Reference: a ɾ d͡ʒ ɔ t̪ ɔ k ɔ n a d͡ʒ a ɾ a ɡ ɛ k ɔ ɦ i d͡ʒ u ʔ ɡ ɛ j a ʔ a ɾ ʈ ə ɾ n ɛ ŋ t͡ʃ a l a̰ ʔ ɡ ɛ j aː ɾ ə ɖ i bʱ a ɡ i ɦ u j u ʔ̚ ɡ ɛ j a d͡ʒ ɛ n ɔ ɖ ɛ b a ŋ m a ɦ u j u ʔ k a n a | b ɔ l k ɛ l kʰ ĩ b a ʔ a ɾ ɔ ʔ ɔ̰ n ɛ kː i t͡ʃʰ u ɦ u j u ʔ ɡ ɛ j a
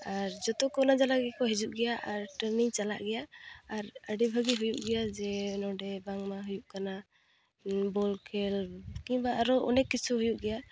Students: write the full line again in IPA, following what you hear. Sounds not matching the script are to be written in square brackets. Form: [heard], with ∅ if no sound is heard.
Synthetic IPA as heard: a ɾ d͡ʒ ɔ t̪ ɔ k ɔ n a d͡ʒ a [l] a ɡ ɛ k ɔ ɦ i d͡ʒ u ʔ ɡ ɛ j a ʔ a ɾ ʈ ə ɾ n [i] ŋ t͡ʃ a l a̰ ʔ ɡ ɛ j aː ɾ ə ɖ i bʱ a ɡ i ɦ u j u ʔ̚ ɡ ɛ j a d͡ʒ ɛ n ɔ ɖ ɛ b a ŋ m a ɦ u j u ʔ k a n a | b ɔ l k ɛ l [k] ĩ b a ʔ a ɾ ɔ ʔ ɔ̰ n ɛ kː i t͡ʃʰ u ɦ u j u ʔ ɡ ɛ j a